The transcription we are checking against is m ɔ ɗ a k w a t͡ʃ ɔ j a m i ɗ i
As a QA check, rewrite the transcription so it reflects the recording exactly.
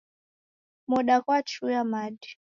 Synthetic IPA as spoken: m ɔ ɗ a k w a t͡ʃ u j a m a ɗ i